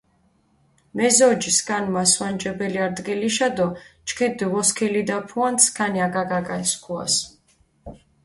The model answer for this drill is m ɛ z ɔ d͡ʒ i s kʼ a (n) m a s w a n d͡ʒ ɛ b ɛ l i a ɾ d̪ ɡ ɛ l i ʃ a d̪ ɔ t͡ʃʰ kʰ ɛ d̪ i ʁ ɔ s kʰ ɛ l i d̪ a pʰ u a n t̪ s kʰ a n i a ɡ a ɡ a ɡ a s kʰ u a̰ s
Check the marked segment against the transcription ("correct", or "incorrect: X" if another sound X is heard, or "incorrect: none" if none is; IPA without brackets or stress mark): correct